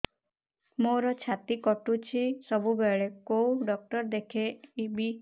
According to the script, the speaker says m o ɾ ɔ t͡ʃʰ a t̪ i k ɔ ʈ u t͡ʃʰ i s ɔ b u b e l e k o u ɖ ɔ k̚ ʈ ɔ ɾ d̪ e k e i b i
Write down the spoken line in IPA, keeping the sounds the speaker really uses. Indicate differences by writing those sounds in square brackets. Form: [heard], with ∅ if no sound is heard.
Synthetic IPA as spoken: m o ɾ ɔ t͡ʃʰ a t̪ i k ɔ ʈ u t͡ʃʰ i s ɔ b u b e [ɭ] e k o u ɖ ɔ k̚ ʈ ɔ ɾ d̪ e [kʰ] e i b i